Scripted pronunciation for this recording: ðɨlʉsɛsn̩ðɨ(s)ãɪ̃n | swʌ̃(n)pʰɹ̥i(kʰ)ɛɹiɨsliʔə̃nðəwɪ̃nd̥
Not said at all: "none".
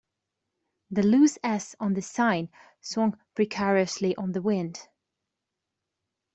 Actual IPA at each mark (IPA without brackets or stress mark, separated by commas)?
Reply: s, ŋ, kʰ